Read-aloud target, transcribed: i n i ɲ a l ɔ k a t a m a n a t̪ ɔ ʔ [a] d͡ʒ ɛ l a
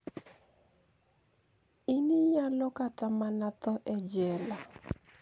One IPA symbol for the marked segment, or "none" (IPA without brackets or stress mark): ɛ